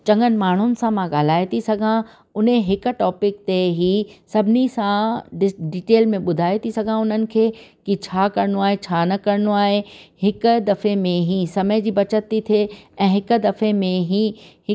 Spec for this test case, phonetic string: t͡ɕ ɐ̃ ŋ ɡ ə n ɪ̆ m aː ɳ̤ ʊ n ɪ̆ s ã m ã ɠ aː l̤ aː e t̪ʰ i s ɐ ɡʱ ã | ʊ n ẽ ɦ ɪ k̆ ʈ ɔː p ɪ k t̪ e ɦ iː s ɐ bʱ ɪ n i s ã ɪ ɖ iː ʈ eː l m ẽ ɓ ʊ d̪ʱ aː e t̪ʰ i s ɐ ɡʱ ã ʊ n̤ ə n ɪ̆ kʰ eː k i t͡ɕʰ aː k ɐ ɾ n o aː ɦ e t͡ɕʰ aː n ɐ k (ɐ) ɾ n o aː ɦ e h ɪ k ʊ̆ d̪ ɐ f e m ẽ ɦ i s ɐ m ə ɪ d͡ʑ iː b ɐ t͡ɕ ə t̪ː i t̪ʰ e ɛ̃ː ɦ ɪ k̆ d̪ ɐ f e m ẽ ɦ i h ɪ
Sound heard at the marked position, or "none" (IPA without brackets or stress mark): ɐ